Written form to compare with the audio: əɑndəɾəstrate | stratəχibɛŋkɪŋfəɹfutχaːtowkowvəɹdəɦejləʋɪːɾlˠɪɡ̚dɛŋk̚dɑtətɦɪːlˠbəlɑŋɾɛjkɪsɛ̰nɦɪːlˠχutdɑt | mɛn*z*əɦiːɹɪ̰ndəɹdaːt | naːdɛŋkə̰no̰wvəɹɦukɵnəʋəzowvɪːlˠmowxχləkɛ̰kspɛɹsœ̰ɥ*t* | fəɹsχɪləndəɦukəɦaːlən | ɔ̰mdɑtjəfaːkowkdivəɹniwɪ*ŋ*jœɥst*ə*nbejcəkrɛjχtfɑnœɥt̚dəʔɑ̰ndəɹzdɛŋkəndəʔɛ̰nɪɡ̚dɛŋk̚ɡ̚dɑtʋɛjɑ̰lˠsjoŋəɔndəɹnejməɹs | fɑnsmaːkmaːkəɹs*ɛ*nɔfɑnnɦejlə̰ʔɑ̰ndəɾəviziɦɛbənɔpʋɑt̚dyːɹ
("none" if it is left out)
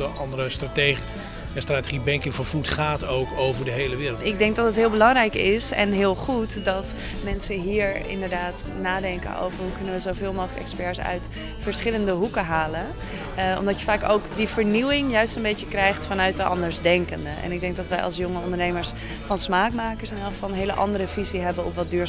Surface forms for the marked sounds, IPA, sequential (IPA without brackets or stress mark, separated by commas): s, t, ŋ, ə, ɛ